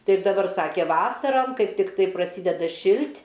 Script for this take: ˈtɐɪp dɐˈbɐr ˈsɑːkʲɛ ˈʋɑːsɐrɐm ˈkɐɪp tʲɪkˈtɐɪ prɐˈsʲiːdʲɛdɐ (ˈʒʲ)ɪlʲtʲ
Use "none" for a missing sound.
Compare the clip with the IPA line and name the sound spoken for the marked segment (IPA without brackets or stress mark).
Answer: ʃʲ